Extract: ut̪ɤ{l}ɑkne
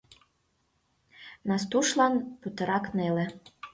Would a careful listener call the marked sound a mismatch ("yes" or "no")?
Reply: yes